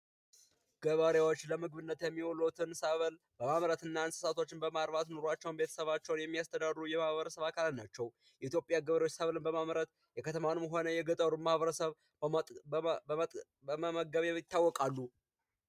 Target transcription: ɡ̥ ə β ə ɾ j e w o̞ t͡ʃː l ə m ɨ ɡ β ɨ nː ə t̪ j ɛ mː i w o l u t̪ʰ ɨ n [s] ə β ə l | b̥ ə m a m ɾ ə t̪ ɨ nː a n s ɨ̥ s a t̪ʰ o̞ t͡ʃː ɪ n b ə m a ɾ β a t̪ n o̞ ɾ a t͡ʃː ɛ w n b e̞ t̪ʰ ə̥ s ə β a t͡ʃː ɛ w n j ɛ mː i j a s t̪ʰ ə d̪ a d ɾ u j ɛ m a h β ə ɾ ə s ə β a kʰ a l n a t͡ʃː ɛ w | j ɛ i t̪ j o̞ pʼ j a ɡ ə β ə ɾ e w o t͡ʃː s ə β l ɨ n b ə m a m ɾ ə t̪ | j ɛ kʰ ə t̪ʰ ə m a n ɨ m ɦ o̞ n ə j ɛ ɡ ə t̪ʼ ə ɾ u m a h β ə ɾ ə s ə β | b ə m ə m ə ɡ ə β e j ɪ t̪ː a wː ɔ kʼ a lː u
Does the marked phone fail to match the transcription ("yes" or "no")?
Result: no